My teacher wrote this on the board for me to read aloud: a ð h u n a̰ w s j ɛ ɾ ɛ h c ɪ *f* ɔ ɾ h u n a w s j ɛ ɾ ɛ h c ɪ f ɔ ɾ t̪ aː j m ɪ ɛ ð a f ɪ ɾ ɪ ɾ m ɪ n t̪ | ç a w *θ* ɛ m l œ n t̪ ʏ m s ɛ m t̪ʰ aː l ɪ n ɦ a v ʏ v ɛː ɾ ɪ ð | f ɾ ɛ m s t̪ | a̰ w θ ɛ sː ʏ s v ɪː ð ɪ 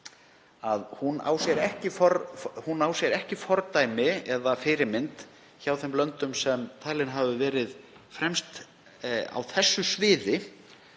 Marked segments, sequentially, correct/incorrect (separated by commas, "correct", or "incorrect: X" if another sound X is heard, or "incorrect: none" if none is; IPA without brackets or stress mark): correct, correct